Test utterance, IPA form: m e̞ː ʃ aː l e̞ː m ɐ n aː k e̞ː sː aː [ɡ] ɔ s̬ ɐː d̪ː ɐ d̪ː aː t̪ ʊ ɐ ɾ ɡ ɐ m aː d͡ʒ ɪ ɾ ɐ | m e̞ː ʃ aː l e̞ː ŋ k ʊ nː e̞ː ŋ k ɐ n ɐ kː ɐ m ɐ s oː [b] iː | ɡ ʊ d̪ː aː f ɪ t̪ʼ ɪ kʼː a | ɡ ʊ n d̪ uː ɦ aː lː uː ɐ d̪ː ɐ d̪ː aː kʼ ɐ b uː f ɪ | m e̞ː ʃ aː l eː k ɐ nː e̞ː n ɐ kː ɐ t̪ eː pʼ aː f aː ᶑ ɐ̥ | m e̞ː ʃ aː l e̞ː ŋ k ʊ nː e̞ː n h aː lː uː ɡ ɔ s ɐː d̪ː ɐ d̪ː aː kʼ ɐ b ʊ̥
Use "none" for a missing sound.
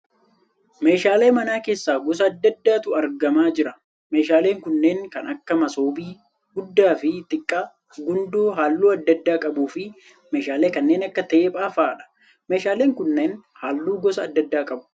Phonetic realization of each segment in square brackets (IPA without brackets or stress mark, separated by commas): ɡ, b